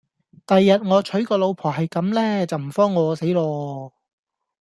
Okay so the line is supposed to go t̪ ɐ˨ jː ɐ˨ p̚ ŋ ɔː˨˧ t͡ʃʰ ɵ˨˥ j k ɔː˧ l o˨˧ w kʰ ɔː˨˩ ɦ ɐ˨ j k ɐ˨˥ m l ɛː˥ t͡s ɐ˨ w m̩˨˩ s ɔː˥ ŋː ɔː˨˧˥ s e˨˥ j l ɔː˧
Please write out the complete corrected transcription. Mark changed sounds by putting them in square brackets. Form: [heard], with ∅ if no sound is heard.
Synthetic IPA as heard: t̪ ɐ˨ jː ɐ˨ [t̚] ŋ ɔː˨˧ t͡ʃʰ ɵ˨˥ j k ɔː˧ l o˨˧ w [pʰ] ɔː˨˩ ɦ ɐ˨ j k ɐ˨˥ m l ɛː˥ t͡s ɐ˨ w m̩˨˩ [f] ɔː˥ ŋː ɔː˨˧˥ s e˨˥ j l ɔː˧